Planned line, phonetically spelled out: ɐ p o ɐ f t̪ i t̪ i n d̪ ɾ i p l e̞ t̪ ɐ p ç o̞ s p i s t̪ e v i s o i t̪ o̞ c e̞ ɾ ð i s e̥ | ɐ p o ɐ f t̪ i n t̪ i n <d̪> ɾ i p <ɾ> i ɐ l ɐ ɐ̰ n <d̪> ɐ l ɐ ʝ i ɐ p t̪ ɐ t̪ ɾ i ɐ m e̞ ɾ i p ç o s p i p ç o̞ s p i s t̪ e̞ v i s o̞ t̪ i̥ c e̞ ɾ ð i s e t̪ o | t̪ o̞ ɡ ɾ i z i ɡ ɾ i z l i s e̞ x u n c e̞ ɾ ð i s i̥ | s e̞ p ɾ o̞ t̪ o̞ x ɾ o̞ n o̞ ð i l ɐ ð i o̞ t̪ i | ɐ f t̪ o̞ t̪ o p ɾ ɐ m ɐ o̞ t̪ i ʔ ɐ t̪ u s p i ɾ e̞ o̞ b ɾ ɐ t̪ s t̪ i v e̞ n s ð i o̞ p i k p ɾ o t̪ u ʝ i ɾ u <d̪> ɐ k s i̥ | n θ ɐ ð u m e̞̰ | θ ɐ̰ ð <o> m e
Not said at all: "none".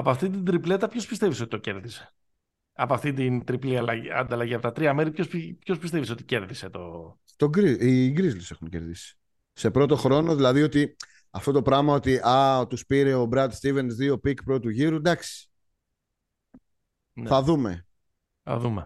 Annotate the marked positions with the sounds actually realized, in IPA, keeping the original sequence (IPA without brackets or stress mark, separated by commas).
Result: t̪, l, d̪, d̪, u